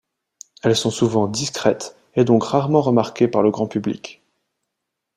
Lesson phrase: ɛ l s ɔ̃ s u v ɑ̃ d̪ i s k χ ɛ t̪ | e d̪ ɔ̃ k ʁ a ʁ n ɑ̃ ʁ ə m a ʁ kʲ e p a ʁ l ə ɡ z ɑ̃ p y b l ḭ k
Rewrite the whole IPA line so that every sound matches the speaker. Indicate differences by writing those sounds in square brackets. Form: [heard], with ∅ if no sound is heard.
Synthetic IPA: ɛ l s ɔ̃ s u v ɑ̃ d̪ i s k χ ɛ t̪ | e d̪ ɔ̃ k ʁ a ʁ [m] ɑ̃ ʁ ə m a ʁ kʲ e p a ʁ l ə ɡ [ʁ] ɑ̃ p y b l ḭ k